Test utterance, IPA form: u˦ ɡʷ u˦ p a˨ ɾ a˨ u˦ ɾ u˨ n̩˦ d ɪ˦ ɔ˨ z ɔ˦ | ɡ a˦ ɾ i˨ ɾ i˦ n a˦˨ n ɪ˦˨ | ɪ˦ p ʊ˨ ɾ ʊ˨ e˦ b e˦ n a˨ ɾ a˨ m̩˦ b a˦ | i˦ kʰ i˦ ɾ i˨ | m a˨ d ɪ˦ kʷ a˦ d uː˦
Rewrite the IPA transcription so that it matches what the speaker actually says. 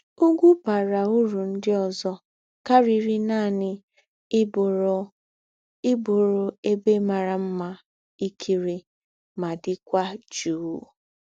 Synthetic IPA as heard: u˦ ɡʷ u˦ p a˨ ɾ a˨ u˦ ɾ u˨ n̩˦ d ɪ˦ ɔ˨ z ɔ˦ | k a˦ ɾ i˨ ɾ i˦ n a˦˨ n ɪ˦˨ | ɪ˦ b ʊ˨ ɾ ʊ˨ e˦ b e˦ m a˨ ɾ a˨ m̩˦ m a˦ | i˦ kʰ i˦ ɾ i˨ | m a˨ d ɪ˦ kʷ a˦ d͡ʒ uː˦